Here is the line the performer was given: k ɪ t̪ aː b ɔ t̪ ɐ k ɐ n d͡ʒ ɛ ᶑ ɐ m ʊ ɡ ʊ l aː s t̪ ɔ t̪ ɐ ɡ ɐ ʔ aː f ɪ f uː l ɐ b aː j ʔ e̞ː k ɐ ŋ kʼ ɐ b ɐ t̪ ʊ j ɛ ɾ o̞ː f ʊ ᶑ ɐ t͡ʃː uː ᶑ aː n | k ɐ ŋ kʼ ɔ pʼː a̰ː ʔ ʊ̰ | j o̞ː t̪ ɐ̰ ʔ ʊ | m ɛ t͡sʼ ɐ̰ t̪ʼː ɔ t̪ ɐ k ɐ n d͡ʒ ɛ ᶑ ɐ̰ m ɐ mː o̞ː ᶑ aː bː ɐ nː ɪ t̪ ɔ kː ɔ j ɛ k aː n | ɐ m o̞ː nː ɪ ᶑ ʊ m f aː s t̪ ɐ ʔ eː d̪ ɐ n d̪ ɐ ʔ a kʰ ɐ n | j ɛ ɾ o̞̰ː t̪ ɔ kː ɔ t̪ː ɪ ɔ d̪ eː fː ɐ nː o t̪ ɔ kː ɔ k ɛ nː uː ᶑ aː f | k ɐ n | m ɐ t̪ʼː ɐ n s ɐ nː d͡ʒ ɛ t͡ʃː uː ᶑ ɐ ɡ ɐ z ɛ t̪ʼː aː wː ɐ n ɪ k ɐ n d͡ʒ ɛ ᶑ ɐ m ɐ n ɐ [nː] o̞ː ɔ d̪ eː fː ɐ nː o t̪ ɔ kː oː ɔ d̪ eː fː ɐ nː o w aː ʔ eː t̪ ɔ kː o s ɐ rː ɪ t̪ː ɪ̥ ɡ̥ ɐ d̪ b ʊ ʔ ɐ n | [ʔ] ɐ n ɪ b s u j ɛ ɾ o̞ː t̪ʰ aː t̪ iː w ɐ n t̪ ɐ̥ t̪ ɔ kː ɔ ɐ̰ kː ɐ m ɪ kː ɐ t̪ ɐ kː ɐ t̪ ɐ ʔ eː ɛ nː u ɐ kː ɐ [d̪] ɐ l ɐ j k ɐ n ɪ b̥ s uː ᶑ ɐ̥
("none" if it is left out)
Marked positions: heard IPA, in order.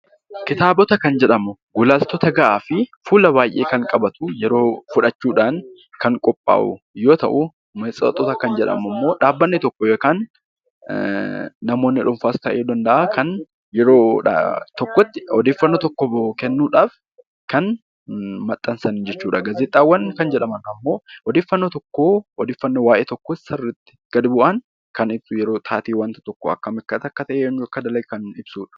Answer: mː, k, d̪

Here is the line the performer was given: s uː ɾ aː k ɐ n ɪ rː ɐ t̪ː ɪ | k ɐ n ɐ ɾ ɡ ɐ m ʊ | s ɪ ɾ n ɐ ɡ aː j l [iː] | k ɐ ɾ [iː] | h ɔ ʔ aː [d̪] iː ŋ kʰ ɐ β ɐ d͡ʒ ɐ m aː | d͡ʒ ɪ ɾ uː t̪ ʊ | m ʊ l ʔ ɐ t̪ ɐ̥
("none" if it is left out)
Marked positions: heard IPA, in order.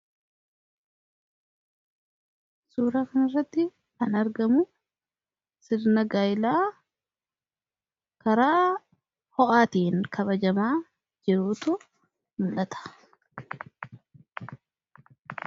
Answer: aː, aː, t̪

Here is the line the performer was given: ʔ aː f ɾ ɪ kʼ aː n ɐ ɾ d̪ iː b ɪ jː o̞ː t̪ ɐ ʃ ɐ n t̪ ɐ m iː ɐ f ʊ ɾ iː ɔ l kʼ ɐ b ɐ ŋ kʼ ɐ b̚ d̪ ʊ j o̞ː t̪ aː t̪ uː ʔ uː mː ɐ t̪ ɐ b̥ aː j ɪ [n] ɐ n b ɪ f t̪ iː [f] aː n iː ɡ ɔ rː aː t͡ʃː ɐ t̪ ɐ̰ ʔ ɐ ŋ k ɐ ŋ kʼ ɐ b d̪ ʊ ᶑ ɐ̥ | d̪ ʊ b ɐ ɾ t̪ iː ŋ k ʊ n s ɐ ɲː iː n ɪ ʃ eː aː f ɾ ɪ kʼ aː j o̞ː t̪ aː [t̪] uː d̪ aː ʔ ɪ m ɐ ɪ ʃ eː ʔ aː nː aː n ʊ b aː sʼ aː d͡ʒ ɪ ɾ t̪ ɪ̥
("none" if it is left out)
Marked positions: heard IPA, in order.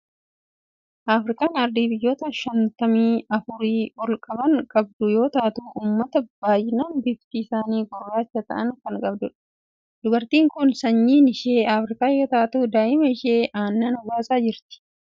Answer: n, s, t̪

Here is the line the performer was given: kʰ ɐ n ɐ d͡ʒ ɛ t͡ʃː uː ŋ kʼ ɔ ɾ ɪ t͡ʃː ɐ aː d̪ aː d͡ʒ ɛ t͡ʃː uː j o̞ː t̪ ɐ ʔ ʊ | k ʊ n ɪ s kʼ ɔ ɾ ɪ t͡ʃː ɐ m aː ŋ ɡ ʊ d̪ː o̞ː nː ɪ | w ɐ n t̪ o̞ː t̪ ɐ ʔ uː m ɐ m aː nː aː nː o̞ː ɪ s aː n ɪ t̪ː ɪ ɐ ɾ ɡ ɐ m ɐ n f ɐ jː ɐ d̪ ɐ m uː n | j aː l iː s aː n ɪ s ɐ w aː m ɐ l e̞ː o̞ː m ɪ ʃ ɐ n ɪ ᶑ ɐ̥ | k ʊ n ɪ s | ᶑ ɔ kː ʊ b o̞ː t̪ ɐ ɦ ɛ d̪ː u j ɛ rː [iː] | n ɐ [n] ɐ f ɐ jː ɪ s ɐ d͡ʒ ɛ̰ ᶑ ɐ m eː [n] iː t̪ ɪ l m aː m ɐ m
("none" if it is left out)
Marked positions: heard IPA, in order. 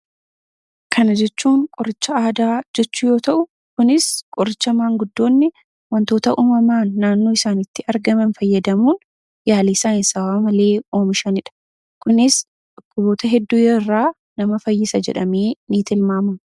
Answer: aː, m, n

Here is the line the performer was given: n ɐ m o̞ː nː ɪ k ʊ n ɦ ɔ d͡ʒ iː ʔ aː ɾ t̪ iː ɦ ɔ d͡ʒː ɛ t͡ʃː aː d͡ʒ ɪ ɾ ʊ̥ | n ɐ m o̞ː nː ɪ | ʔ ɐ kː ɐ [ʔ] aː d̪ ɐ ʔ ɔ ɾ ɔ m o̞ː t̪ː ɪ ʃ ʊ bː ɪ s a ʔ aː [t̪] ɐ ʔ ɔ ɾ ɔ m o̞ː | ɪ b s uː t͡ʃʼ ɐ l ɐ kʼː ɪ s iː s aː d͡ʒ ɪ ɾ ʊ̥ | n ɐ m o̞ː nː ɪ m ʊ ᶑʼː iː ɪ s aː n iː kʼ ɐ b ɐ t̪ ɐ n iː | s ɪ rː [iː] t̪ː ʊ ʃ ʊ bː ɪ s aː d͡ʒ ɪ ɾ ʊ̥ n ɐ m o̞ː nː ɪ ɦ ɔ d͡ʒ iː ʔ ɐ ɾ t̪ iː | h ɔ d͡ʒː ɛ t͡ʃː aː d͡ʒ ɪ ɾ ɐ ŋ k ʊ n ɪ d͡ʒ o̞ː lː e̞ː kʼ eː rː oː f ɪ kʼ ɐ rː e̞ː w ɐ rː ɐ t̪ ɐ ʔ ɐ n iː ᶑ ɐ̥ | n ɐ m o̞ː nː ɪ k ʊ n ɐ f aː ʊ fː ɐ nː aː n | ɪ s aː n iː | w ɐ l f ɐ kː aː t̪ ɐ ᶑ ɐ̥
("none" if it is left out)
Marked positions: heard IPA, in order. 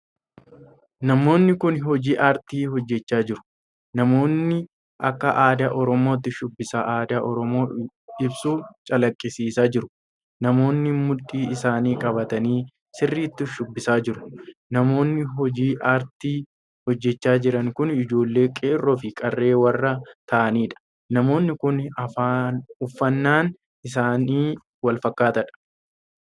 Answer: ʔ, d̪, iː

